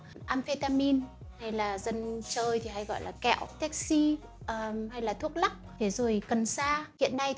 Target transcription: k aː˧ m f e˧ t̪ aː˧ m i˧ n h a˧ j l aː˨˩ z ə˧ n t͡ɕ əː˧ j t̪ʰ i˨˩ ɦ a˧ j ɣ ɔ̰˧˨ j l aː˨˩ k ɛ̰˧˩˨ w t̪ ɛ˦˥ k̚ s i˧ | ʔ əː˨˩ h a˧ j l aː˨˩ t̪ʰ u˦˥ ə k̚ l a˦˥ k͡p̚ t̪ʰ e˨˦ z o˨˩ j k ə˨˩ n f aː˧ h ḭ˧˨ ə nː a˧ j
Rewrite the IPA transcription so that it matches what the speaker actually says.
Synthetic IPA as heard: ʔ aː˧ m f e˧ t̪ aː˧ m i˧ n h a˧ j l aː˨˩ z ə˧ n t͡ɕ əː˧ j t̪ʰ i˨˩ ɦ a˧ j ɣ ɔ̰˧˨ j l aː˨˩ k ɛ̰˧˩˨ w t̪ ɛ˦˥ k̚ s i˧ | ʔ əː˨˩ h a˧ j l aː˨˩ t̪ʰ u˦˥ ə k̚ l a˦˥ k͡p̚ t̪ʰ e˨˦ z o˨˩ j k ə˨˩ n s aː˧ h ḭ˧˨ ə nː a˧ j